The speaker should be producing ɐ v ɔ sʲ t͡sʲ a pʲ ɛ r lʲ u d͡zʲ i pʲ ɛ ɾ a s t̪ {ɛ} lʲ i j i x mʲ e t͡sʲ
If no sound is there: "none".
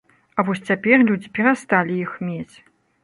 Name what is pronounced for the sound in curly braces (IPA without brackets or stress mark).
a